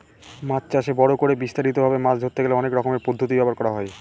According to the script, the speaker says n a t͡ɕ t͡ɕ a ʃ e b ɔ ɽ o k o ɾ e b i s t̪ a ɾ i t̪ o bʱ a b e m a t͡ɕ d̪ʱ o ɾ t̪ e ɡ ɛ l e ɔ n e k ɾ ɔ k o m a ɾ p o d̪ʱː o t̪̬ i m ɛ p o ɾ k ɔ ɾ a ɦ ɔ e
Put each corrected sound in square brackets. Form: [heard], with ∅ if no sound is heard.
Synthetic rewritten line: [m] a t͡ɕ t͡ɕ a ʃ e b ɔ ɽ o k o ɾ e b i s t̪ a ɾ i t̪ o bʱ a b e m a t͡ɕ d̪ʱ o ɾ t̪ e ɡ [e] l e ɔ n e k ɾ ɔ k o m [e] ɾ p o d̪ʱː o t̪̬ i [b] ɛ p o ɾ k ɔ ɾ a ɦ ɔ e

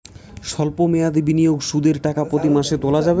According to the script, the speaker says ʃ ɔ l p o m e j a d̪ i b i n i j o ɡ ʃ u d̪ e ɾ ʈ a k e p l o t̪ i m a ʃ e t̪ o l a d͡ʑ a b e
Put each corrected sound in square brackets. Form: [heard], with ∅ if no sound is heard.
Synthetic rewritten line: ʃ ɔ l p o m e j a d̪ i b i n i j o ɡ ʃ u d̪ e ɾ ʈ a k [a] p [ɾ] o t̪ i m a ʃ e t̪ o l a d͡ʑ a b e

